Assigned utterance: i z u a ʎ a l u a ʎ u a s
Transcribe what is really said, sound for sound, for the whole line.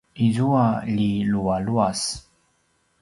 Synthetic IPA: i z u a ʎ i l u a l u a s